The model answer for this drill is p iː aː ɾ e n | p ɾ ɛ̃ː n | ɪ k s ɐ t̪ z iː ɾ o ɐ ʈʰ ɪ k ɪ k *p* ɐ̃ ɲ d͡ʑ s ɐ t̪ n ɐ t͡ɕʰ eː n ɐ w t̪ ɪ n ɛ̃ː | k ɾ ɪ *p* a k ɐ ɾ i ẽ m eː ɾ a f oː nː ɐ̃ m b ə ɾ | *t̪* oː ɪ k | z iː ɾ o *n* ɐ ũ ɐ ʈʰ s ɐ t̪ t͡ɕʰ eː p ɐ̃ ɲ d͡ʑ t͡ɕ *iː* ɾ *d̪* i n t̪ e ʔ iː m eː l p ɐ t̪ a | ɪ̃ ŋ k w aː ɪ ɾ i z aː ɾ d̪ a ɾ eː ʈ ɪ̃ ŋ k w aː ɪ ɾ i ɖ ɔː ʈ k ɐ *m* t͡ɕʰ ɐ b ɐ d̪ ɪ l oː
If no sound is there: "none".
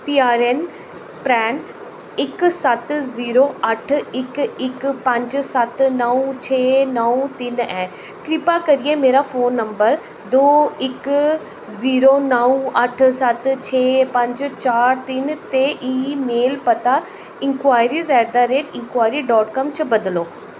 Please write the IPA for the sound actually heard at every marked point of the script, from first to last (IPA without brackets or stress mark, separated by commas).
p, p, d̪, n, aː, t̪, m